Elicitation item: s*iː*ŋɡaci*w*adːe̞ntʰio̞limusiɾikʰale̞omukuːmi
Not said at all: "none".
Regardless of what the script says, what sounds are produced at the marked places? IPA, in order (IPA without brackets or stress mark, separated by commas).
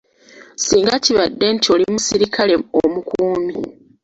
iː, β